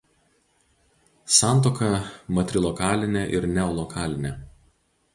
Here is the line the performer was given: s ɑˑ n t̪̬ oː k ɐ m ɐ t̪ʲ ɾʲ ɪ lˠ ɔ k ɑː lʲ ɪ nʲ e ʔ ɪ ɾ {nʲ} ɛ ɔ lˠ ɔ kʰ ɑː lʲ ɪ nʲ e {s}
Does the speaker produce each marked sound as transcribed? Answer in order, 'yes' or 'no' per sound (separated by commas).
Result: yes, no